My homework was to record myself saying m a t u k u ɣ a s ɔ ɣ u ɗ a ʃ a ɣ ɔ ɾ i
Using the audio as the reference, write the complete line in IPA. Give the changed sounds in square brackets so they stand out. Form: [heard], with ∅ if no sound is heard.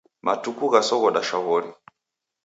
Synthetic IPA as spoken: m a t u k u ɣ a s ɔ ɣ [ɔ] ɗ a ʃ a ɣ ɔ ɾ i